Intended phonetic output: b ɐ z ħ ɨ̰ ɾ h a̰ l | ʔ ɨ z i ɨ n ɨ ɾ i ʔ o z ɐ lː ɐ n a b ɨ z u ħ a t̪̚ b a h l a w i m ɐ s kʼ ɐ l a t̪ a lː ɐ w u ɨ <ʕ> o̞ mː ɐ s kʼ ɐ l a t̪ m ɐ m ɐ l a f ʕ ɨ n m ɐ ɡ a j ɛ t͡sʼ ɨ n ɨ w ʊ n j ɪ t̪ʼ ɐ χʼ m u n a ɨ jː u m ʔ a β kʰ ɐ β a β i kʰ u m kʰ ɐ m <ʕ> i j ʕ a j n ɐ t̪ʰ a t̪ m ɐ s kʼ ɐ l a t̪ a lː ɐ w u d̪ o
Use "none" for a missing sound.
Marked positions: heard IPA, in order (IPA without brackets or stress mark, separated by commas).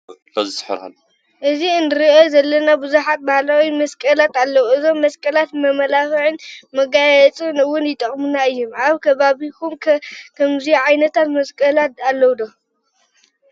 z, z